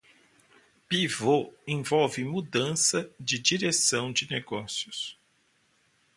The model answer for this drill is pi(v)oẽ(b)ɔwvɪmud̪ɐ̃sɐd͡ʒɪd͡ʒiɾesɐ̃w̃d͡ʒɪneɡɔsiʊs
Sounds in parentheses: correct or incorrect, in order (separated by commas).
correct, incorrect